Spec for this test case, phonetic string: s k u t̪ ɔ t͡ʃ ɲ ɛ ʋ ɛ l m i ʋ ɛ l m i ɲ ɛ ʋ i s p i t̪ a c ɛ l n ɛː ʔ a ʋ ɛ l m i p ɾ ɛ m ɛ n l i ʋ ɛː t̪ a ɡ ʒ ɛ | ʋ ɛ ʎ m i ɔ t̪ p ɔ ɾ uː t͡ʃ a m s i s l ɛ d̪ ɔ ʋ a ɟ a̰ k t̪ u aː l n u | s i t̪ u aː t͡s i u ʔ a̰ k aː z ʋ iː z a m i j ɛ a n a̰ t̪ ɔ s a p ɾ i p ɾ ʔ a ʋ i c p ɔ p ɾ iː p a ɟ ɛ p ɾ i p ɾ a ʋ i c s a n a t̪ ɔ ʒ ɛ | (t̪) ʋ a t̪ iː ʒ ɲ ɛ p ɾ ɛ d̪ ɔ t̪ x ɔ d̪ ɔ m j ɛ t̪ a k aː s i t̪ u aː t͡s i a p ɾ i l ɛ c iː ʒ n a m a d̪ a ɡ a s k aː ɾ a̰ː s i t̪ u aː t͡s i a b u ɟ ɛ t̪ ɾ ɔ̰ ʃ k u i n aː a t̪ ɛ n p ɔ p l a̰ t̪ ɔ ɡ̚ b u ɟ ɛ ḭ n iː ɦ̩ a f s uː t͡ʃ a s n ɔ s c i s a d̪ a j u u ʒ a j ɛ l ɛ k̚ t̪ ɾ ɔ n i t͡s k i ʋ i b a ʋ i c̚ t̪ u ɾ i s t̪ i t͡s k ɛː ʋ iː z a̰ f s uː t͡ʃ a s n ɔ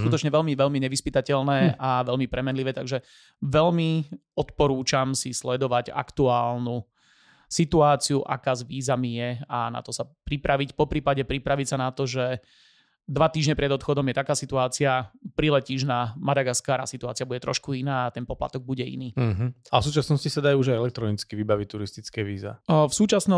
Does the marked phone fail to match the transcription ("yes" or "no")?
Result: yes